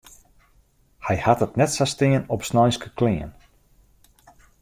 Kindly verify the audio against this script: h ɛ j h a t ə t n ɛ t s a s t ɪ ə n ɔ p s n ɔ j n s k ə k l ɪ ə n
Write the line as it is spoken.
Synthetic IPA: h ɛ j h a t ə t n ɛ t s a s t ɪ ə n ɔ p s n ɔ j n s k ə k l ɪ ə n